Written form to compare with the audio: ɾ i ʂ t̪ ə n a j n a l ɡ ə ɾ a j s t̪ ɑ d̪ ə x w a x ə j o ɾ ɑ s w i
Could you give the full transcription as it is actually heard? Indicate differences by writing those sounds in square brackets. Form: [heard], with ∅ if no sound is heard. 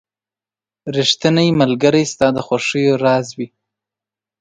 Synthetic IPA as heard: ɾ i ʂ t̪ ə n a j [m] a l ɡ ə ɾ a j s t̪ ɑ d̪ ə x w a [ʂ] ə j o ɾ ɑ [z] w i